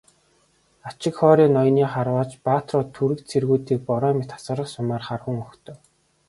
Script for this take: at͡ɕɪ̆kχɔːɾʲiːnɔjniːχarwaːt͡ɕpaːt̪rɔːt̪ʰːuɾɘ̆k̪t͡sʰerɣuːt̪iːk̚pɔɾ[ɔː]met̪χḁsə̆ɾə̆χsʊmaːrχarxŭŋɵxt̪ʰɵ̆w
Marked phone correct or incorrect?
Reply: correct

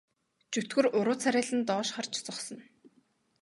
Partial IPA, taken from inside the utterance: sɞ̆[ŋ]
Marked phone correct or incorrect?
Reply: incorrect: n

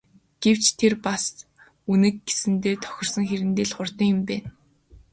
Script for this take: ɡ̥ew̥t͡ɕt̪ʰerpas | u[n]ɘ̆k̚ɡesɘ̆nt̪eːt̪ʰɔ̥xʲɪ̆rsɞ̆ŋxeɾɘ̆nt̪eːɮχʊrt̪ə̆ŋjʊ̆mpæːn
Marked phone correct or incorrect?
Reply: correct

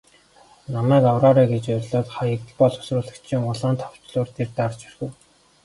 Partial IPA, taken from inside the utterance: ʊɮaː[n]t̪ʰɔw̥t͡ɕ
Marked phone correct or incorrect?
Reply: correct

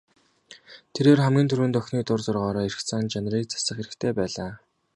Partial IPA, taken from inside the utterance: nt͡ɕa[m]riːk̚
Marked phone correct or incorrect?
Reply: incorrect: n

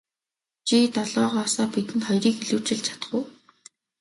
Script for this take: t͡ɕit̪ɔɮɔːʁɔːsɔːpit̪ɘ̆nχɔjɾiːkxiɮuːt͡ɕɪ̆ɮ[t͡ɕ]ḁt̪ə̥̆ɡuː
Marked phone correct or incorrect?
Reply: incorrect: t͡ɕʰ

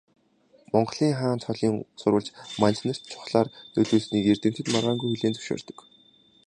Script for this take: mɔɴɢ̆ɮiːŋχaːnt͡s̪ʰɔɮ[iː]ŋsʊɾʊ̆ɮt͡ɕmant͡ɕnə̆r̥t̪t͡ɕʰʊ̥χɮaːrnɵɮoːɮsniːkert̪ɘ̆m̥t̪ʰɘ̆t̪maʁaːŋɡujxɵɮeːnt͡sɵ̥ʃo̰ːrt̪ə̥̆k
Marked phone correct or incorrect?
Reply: correct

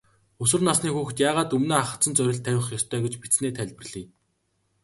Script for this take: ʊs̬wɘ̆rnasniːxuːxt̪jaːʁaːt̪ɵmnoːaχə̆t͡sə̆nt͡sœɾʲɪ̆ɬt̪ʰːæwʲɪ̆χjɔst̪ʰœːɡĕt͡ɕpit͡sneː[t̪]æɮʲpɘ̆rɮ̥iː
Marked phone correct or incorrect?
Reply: incorrect: t̪ʰ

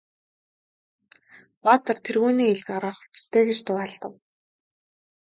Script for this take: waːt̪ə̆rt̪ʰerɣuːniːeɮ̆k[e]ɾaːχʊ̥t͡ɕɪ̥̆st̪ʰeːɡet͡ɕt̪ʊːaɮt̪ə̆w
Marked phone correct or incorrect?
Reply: incorrect: a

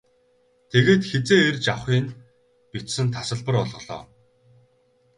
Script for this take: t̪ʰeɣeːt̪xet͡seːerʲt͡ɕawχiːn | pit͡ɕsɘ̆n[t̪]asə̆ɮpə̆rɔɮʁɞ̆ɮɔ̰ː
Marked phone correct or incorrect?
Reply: incorrect: t̪ʰ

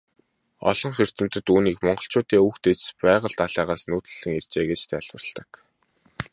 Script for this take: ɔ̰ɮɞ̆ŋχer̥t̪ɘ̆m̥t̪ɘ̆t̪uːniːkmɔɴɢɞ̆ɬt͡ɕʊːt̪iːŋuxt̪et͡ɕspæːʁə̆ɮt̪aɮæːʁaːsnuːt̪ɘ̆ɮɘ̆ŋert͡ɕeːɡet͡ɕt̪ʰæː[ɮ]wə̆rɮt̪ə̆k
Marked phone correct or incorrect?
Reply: correct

